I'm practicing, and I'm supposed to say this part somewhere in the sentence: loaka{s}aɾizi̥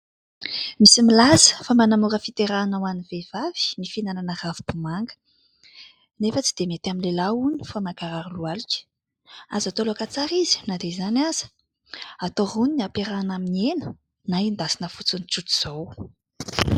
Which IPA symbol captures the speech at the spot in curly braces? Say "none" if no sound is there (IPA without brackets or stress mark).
t͡s